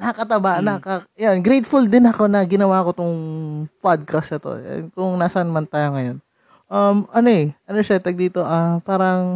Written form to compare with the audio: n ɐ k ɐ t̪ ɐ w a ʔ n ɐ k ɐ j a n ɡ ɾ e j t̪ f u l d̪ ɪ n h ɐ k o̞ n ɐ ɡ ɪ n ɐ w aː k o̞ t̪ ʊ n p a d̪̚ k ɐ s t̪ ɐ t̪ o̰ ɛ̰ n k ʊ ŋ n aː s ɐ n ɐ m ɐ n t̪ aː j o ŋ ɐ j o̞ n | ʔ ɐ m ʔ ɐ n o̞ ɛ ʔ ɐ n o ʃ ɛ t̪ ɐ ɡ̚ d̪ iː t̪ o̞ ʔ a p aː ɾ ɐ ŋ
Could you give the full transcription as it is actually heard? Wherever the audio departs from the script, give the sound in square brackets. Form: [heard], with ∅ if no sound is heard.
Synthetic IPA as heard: n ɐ k ɐ t̪ ɐ [b] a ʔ n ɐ k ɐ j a n ɡ ɾ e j t̪ f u l d̪ ɪ n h ɐ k o̞ n ɐ ɡ ɪ n ɐ w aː k o̞ t̪ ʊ [ŋ] p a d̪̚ k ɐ s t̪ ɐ t̪ o̰ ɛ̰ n k ʊ ŋ n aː s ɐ n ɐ m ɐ n t̪ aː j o ŋ ɐ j o̞ n | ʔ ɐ m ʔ ɐ n o̞ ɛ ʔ ɐ n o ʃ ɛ t̪ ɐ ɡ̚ d̪ iː t̪ o̞ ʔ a p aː ɾ ɐ ŋ